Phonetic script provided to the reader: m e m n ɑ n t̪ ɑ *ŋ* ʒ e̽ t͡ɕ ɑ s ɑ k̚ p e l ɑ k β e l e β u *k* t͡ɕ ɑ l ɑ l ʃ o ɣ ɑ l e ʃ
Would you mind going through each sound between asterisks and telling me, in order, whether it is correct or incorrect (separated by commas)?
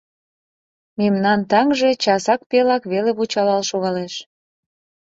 correct, incorrect